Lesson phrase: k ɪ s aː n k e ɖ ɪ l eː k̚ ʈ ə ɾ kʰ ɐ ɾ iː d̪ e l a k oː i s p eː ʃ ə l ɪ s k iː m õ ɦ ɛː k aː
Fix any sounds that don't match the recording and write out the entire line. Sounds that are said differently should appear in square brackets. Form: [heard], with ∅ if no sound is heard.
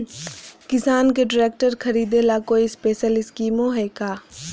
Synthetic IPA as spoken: k ɪ s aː n k e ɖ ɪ [ɾ] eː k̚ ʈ ə ɾ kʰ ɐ ɾ iː d̪ e l a k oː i s p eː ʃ ə l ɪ s k iː m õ ɦ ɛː k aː